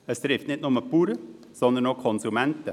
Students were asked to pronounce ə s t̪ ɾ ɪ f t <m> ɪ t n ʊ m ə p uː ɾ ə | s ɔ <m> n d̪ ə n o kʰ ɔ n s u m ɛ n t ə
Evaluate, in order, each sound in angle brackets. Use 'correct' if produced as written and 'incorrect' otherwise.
incorrect: n, incorrect: none

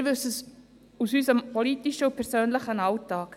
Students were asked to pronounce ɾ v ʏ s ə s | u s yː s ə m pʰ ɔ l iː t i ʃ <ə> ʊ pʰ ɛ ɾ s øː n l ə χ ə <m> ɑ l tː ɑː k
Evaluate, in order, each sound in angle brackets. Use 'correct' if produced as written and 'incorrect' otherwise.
correct, incorrect: n

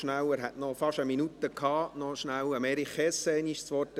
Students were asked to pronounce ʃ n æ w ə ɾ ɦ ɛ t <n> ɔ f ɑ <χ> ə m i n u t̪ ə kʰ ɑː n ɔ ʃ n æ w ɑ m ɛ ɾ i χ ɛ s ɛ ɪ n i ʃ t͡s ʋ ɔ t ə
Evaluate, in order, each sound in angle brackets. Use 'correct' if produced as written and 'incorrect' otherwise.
correct, incorrect: ʃ

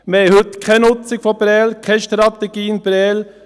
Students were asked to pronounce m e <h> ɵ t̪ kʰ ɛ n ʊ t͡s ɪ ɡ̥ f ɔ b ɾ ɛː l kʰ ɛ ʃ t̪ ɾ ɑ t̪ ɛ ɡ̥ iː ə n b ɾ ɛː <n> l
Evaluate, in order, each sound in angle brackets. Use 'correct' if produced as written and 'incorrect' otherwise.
correct, incorrect: none

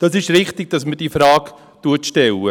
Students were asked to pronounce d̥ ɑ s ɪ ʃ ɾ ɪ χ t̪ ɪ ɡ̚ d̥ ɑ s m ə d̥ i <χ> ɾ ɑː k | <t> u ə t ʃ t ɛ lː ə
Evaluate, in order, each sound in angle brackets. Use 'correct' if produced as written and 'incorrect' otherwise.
incorrect: f, correct

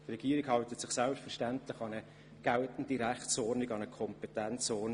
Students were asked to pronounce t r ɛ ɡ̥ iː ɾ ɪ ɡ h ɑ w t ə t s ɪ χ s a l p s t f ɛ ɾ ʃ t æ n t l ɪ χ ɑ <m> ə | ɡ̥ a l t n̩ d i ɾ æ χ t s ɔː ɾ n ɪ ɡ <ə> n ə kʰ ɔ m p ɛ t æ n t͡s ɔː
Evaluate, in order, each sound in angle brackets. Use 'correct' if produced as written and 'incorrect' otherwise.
incorrect: n, incorrect: ɑ

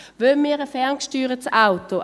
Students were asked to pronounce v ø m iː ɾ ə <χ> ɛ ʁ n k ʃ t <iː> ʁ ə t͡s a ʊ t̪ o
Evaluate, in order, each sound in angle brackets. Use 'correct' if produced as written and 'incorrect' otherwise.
incorrect: f, incorrect: yː

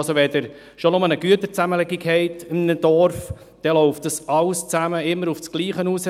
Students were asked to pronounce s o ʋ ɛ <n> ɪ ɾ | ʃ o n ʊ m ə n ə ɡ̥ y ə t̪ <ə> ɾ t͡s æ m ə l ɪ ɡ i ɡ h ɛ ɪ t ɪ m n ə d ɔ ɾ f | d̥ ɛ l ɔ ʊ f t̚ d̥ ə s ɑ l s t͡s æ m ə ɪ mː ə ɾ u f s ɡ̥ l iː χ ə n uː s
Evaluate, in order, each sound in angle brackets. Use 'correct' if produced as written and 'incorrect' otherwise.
incorrect: d, correct

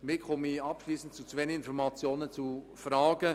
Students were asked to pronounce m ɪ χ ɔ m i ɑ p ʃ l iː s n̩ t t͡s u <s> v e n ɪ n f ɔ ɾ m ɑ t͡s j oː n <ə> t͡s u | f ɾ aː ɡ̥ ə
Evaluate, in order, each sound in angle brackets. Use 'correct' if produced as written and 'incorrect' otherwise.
incorrect: t͡s, correct

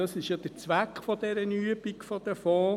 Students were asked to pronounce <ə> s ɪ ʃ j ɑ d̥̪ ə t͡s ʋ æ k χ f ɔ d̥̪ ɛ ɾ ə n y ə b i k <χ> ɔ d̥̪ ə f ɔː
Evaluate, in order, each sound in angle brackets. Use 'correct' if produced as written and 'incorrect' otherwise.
incorrect: ɑ, incorrect: f

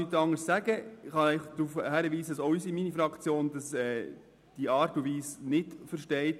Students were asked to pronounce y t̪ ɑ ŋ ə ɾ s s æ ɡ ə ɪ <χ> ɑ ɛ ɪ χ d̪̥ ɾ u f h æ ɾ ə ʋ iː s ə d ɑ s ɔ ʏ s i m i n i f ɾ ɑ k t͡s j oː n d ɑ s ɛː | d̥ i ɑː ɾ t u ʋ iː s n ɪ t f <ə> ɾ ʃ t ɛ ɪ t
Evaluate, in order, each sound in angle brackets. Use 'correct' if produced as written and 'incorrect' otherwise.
correct, correct

